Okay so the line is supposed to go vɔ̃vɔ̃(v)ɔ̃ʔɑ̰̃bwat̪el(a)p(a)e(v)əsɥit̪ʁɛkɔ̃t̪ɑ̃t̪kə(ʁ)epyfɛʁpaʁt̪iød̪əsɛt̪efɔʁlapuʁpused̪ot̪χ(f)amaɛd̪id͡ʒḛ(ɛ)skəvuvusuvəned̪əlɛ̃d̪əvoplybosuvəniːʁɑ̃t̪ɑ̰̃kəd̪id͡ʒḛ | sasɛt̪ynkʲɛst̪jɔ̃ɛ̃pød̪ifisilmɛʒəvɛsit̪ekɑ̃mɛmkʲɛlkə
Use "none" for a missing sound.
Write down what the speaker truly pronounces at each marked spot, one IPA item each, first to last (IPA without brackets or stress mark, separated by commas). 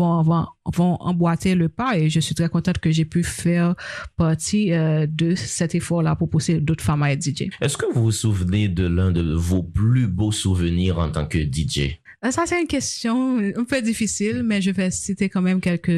v, ə, a, ʒ, ʒ, f, ɛ